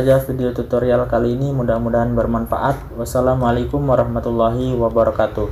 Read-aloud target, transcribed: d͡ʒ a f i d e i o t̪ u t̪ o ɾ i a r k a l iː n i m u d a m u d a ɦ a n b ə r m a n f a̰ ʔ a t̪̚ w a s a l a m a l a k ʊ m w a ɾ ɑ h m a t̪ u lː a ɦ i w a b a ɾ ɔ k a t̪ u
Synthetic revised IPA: d͡ʒ a f i d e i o t̪ u t̪ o ɾ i a l k a l iː n i m u d a m u d a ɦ a n b ə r m a n f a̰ ʔ a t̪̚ w a s a l a m a l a k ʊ m w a ɾ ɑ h m a t̪ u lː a ɦ i w a b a ɾ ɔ k a t̪ u